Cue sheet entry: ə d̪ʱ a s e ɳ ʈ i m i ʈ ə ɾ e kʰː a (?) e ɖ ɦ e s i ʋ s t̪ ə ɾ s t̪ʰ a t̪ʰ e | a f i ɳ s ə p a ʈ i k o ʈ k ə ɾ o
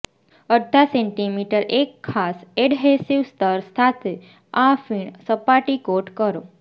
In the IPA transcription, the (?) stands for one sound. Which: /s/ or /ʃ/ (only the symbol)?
s